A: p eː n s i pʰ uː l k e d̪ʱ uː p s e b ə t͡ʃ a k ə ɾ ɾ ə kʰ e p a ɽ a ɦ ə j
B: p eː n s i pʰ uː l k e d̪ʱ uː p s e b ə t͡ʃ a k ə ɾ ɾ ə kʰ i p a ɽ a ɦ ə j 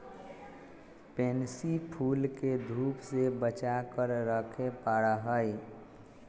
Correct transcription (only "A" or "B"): A